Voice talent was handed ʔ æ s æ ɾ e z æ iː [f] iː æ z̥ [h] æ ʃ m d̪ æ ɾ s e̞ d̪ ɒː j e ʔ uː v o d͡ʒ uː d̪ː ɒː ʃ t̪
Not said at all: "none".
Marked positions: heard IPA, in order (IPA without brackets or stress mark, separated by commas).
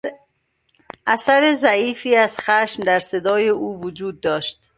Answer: f, x